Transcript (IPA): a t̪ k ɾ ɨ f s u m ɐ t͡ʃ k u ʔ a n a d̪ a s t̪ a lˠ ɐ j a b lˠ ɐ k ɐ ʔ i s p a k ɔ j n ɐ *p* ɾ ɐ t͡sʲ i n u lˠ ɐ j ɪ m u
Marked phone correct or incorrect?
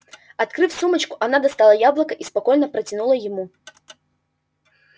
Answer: correct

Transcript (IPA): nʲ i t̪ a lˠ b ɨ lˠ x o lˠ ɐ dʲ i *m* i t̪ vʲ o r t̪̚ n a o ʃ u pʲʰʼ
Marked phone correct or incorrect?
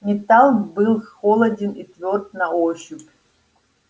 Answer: incorrect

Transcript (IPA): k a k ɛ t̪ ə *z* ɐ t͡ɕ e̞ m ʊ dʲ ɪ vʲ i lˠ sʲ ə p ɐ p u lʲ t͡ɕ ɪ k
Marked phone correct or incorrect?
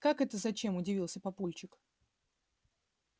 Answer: correct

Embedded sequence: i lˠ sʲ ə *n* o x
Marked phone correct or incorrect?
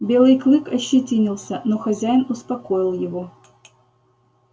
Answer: correct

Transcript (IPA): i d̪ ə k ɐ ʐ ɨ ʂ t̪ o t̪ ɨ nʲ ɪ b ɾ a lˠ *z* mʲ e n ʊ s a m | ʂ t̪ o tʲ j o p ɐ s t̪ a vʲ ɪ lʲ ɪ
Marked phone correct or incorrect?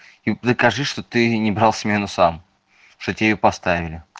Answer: incorrect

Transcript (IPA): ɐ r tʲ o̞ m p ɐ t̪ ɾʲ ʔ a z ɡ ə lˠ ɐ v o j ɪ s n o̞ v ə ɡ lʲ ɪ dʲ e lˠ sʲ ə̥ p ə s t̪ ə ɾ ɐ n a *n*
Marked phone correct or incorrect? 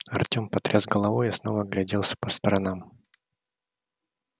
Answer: incorrect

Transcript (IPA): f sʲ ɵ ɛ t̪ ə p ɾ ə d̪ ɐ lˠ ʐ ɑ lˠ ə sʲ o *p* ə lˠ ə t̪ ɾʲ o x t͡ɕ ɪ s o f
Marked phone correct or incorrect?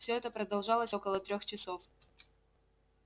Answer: incorrect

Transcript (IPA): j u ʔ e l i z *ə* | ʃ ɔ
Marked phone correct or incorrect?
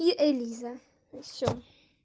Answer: incorrect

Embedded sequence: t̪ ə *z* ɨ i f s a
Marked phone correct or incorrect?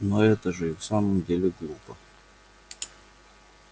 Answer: incorrect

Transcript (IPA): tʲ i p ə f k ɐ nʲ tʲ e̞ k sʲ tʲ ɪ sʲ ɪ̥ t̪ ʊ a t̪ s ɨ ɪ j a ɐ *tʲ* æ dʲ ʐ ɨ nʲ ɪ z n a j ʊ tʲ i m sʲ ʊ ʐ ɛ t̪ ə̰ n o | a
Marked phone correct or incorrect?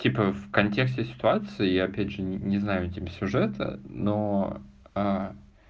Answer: incorrect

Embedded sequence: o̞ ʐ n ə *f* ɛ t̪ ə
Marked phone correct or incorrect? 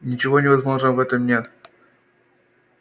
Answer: incorrect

